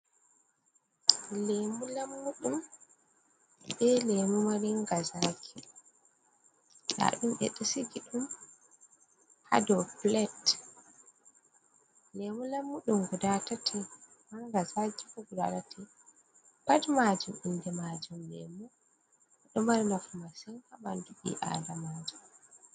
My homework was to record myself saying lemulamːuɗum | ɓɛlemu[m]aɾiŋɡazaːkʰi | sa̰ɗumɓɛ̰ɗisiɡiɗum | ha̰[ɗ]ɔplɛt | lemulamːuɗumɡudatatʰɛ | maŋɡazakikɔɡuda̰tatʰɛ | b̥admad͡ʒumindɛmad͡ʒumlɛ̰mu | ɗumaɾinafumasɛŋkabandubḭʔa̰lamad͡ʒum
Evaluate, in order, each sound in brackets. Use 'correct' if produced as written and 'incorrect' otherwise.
correct, incorrect

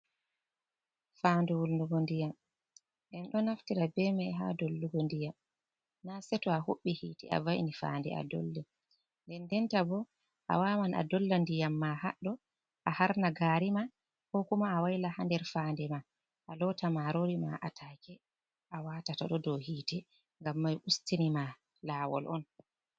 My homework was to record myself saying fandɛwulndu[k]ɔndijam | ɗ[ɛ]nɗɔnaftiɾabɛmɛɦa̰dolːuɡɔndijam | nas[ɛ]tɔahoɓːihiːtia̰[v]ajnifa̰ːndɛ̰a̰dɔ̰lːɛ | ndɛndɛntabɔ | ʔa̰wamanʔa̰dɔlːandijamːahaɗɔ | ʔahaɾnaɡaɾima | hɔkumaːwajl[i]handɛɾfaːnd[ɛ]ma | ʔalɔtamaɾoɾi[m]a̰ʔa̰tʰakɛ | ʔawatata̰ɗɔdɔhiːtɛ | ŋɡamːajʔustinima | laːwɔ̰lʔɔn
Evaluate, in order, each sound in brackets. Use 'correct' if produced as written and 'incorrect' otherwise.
incorrect, correct, correct, correct, incorrect, correct, correct

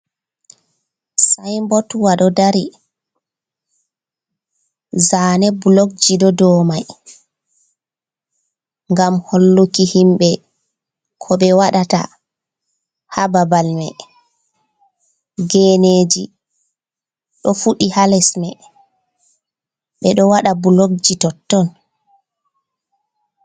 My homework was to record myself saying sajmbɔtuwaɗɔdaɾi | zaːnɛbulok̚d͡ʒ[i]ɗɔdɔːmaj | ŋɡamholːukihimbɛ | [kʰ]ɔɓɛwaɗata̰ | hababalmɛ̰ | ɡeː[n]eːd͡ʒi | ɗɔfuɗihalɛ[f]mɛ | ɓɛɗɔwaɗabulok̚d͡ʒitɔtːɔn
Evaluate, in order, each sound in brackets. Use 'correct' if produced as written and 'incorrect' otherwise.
correct, correct, correct, incorrect

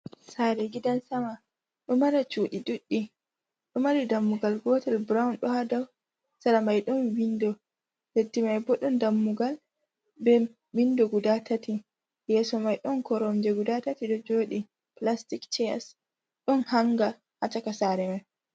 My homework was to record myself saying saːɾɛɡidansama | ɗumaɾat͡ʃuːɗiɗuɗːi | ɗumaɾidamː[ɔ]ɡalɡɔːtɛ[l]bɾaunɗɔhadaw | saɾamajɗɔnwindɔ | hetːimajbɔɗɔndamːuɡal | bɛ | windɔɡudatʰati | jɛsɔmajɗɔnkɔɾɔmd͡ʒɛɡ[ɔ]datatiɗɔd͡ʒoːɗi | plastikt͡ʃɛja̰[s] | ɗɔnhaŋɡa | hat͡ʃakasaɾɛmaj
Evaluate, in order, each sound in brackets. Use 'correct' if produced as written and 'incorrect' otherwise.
incorrect, correct, incorrect, correct

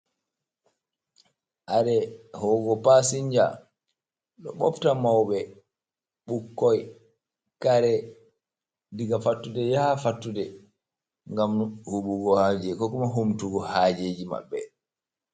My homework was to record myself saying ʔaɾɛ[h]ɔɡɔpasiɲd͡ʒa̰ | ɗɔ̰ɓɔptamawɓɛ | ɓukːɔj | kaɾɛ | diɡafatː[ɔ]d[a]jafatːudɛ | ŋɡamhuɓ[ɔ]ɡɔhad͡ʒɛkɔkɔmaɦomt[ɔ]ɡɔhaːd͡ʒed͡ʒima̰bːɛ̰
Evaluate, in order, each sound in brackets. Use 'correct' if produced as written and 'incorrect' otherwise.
correct, incorrect, incorrect, incorrect, incorrect

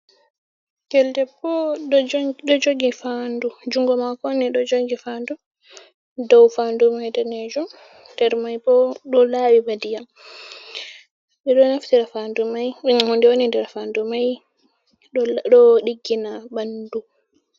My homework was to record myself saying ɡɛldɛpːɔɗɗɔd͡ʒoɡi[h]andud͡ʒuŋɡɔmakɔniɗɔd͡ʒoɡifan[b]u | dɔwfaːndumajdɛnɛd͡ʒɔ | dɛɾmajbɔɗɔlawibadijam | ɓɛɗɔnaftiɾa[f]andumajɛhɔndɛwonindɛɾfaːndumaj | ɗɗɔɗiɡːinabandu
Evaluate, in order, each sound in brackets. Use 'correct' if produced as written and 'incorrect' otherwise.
incorrect, incorrect, correct

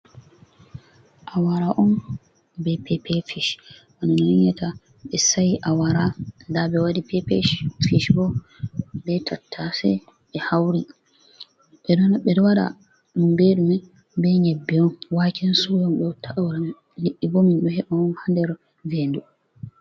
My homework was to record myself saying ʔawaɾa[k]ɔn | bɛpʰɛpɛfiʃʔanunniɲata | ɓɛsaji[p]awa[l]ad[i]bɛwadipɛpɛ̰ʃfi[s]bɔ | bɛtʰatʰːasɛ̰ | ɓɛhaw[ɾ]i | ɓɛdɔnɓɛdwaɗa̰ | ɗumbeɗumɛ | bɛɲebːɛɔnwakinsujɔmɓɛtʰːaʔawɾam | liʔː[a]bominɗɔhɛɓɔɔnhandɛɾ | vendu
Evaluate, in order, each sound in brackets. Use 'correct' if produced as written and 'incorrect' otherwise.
incorrect, incorrect, incorrect, incorrect, incorrect, correct, incorrect

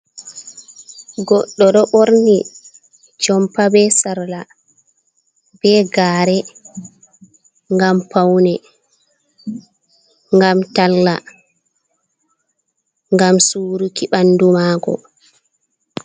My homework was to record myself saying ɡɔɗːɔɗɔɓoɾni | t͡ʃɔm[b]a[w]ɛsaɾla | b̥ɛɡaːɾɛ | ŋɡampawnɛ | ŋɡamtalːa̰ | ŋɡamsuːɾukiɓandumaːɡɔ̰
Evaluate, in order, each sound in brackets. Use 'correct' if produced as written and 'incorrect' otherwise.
incorrect, incorrect

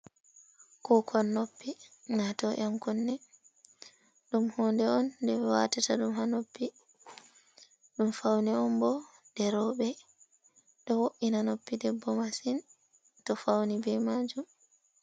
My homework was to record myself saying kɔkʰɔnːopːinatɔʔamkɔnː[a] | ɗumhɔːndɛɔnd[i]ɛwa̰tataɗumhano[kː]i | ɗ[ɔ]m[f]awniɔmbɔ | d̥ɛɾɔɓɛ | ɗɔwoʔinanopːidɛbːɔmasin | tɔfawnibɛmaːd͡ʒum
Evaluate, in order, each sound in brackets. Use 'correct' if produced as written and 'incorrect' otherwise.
incorrect, incorrect, incorrect, incorrect, correct

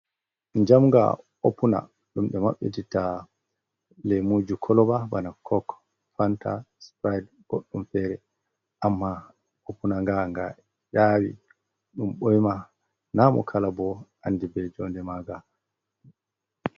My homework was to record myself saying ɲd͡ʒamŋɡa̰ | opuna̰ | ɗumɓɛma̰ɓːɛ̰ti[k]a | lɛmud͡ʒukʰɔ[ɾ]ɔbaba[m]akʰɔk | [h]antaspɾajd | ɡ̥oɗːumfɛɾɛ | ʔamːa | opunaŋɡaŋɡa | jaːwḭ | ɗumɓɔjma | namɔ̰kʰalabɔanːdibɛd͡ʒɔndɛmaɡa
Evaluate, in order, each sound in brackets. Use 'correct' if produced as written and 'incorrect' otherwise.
incorrect, incorrect, incorrect, incorrect

